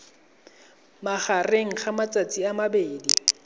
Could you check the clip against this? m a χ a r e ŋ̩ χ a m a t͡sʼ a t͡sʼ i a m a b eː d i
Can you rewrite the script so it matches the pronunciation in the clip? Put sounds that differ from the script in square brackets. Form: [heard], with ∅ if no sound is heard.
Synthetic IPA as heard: m a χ a r e ŋ̩ χ a m a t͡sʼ a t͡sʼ i a m a b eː d i